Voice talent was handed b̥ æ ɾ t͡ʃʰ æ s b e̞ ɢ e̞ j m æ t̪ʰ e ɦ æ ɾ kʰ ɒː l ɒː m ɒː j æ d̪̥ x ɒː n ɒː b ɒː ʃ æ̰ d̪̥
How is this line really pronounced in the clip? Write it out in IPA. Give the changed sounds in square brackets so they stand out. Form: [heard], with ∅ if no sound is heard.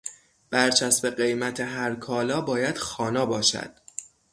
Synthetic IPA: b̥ æ ɾ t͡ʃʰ æ s b e̞ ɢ e̞ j m æ t̪ʰ e ɦ æ ɾ kʰ ɒː l ɒː [b] ɒː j æ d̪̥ x ɒː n ɒː b ɒː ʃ æ̰ d̪̥